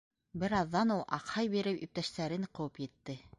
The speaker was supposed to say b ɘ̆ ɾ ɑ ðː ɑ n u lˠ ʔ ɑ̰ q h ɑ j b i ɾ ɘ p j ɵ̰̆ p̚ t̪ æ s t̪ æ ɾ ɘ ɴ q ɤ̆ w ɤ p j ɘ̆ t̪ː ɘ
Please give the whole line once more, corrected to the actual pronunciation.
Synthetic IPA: b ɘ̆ ɾ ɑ ðː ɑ n u lˠ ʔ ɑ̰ q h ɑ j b i ɾ ɘ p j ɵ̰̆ p̚ t̪ æ ʃ t̪ æ ɾ ɘ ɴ q ɤ̆ w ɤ p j ɘ̆ t̪ː ɘ